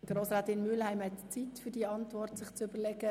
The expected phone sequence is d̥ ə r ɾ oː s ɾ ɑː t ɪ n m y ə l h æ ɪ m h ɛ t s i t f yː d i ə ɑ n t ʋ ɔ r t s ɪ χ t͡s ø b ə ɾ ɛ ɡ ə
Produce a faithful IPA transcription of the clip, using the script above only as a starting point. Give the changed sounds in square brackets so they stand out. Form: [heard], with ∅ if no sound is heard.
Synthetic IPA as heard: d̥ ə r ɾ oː s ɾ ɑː t ɪ n m y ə l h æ ɪ m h ɛ t [t͡s] i t f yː d i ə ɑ n t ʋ ɔ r t s ɪ χ t͡s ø b ə [l] ɛ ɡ ə